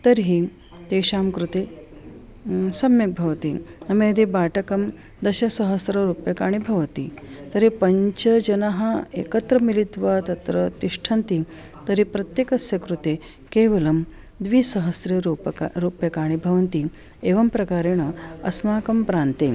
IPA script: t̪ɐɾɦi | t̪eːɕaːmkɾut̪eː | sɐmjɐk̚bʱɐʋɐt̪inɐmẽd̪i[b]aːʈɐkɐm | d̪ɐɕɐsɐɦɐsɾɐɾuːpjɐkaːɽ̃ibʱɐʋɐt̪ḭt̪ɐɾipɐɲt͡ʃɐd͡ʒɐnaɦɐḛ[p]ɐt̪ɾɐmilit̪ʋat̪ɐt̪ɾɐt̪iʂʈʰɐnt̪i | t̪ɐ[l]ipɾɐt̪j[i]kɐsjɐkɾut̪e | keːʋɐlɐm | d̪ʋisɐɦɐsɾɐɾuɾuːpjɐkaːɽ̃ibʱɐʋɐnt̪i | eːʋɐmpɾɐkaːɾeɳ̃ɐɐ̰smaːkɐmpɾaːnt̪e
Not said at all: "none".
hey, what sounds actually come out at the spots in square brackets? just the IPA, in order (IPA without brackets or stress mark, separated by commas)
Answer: b, k, ɾ, e